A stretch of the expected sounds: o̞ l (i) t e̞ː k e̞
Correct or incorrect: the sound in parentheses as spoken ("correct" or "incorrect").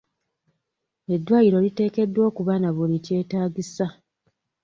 correct